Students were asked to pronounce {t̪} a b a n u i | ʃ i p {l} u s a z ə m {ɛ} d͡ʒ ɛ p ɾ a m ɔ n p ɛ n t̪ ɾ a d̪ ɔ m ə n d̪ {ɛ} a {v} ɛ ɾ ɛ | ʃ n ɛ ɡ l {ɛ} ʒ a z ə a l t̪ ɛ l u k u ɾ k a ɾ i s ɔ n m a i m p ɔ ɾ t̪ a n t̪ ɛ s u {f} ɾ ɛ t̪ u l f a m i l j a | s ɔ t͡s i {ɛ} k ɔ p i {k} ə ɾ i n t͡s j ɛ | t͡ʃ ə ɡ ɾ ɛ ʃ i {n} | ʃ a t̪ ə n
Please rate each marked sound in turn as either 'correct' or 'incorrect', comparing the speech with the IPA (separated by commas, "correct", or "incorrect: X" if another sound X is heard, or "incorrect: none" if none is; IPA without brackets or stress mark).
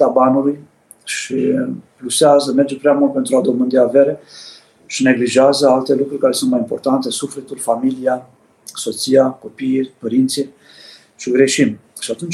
correct, correct, correct, incorrect: i, correct, incorrect: i, correct, incorrect: a, incorrect: p, incorrect: m